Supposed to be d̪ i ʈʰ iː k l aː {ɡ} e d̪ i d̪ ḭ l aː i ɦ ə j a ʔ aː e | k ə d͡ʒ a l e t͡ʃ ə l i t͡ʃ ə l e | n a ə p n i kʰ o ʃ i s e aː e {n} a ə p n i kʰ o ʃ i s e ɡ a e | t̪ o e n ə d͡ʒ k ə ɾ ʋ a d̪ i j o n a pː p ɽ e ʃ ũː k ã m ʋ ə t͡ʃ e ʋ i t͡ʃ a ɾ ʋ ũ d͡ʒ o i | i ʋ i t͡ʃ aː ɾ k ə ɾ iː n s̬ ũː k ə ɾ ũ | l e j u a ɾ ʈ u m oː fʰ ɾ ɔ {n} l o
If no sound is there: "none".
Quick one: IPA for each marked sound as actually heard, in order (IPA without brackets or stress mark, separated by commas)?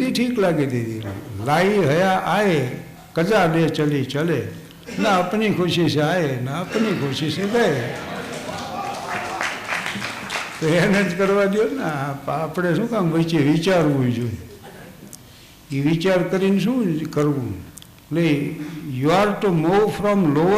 ɡ, n, m